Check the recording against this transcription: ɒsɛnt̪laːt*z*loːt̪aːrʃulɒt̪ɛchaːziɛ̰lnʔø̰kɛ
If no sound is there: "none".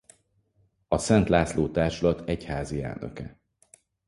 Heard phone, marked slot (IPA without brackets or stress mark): s